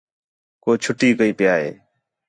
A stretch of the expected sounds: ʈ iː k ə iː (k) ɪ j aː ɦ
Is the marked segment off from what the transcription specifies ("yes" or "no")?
yes